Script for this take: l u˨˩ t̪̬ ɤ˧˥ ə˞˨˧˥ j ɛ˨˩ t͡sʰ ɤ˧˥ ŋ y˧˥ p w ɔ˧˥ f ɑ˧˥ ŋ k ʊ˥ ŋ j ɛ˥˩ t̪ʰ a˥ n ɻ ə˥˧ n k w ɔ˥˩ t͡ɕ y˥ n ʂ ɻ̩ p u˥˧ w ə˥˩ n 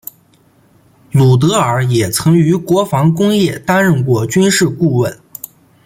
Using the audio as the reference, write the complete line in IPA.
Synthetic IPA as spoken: l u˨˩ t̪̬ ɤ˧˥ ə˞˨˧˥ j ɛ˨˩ t͡sʰ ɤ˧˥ ŋ y˧˥ k w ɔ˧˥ f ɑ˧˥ ŋ k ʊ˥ ŋ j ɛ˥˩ t̪ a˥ n ɻ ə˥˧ n k w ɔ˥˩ t͡ɕ y˥ n ʂ ɻ̩ k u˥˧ w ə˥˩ n

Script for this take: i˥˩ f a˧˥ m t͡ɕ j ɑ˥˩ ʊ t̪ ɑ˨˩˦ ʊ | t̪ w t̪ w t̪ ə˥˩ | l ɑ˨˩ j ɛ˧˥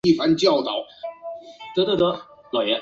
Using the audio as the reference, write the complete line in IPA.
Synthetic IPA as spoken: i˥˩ f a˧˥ n t͡ɕ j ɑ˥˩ ʊ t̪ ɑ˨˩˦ ʊ | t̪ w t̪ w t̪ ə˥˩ | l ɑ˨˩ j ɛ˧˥

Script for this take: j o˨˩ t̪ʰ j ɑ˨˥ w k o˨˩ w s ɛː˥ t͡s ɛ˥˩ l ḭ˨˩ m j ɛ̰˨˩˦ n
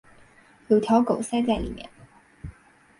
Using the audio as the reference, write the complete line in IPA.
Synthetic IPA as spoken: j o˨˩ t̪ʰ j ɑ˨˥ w k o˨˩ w s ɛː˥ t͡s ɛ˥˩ l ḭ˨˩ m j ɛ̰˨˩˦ n

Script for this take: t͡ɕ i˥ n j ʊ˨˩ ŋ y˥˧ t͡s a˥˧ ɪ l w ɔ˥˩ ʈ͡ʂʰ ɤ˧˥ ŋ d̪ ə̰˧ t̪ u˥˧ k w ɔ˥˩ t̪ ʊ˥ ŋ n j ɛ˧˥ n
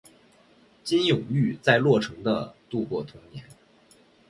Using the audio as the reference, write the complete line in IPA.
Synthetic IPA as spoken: t͡ɕ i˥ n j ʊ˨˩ ŋ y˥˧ t͡s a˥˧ ɪ l w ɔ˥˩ ʈ͡ʂʰ ɤ˧˥ ŋ d̪ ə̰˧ t̪ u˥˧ k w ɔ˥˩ t̪ʰ ʊ˥ ŋ n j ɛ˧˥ n

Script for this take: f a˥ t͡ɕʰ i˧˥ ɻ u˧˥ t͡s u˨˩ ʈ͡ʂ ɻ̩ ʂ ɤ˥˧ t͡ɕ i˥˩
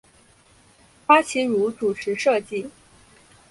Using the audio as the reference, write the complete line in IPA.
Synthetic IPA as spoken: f a˥ t͡ɕʰ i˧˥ ɻ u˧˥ t͡s u˨˩ ʈ͡ʂʰ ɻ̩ ʂ ɤ˥˧ t͡ɕ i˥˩

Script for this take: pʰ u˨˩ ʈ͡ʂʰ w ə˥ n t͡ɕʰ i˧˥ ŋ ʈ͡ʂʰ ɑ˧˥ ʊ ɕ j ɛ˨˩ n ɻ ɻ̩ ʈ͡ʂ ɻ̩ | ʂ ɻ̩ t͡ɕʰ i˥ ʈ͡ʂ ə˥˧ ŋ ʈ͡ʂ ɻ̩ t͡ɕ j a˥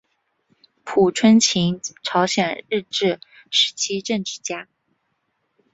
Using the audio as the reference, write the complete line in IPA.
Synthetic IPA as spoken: pʰ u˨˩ ʈ͡ʂʰ w ə˥ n t͡ɕʰ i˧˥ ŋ ʈ͡ʂʰ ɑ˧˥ ʊ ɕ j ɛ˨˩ n ɻ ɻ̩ ʈ͡ʂ ɻ̩ | ʂ ɻ̩ t͡ɕʰ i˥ ʈ͡ʂ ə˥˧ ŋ ʈ͡ʂ ɻ̩ t͡ɕ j a˥

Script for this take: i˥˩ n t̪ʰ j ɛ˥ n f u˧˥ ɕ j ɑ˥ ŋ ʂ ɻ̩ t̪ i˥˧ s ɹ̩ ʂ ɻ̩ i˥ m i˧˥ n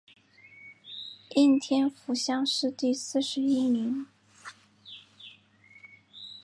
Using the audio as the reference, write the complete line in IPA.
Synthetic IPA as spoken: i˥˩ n t̪ʰ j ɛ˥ n f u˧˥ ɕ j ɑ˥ ŋ ʂ ɻ̩ t̪ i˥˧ s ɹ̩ ʂ ɻ̩ i˥ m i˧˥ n

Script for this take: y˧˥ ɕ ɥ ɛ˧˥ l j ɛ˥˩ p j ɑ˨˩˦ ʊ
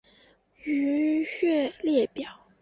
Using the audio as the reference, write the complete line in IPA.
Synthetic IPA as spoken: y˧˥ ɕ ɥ ɛ˥˧ l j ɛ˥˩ p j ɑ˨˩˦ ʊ

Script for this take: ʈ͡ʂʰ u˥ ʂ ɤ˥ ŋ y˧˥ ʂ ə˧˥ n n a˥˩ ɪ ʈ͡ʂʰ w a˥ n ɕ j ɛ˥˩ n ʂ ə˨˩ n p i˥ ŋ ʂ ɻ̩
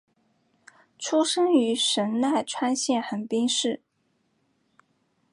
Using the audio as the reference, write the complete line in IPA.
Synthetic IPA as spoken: ʈ͡ʂʰ u˥ ʂ ɤ˥ ŋ y˧˥ ʂ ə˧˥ n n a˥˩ ɪ ʈ͡ʂʰ w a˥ n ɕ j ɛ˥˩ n x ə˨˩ n p i˥ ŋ ʂ ɻ̩

